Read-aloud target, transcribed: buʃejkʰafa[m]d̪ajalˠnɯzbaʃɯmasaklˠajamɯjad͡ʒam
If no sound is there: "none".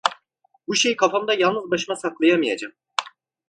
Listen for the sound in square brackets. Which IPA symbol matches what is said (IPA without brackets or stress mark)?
m